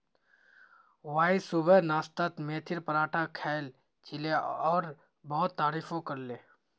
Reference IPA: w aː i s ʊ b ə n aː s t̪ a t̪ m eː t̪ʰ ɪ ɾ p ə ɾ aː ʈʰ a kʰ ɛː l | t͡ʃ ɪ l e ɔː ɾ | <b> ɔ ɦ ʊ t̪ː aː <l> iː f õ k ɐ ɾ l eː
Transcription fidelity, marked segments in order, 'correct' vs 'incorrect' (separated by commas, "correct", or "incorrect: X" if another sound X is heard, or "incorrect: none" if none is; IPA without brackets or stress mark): correct, incorrect: ɾ